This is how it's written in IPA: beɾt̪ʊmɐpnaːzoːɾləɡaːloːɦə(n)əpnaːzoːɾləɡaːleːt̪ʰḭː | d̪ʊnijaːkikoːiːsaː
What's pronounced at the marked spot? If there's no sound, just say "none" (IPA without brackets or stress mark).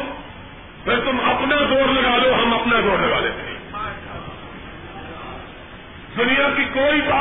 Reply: m